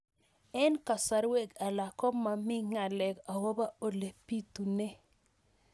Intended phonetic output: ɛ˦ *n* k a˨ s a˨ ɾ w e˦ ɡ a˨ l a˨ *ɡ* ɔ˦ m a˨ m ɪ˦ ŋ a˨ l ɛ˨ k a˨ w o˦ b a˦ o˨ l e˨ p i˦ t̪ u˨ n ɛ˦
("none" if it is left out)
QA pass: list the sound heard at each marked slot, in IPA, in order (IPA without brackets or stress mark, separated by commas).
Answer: n, k